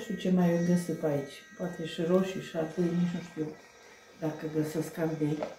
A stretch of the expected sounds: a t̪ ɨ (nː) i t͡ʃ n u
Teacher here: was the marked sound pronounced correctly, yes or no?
no